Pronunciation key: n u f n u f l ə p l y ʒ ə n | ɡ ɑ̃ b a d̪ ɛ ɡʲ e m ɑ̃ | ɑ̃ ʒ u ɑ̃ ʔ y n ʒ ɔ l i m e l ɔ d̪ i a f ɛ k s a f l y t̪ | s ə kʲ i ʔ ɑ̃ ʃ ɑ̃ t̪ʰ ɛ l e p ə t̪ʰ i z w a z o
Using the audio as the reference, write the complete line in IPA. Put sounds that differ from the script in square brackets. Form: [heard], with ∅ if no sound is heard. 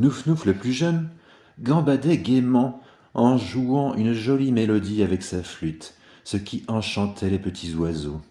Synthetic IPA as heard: n u f n u f l ə p l y ʒ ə n | ɡ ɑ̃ b a d̪ ɛ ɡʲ e m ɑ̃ | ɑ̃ ʒ u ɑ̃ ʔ y n ʒ ɔ l i m e l ɔ d̪ i a [v] ɛ k s a f l y t̪ | s ə kʲ i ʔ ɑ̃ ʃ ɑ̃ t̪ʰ ɛ l e p ə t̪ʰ i z w a z o